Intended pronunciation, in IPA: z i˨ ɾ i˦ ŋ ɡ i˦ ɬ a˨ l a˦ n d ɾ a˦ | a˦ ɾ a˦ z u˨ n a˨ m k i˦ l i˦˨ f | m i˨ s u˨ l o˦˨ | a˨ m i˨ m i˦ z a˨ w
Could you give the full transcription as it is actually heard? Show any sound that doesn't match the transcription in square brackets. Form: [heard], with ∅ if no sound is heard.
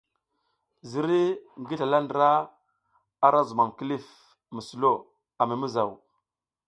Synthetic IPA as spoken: z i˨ ɾ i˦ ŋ ɡ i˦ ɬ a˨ l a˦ n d ɾ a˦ | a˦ ɾ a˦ z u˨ [m] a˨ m k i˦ l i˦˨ f | m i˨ s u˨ l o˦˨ | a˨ m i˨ m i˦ z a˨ w